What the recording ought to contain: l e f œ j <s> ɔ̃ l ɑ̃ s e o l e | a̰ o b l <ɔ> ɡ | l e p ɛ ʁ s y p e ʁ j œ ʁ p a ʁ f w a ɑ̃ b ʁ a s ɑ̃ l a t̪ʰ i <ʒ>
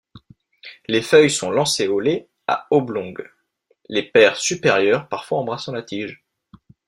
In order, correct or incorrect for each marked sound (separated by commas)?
correct, incorrect, correct